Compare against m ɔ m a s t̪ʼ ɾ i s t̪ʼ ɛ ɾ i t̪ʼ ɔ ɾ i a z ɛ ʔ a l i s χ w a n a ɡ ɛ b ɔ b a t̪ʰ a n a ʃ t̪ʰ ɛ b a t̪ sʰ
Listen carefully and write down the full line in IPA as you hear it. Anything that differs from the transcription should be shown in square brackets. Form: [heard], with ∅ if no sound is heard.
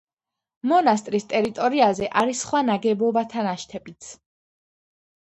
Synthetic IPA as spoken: m ɔ [n] a s t̪ʼ ɾ i s t̪ʼ ɛ ɾ i t̪ʼ ɔ ɾ i a z ɛ ʔ a [ɾ] i s χ w a n a ɡ ɛ b ɔ b a t̪ʰ a n a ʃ t̪ʰ ɛ b [i] t̪ sʰ